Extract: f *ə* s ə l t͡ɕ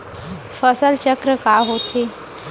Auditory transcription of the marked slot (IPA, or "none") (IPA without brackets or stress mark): ə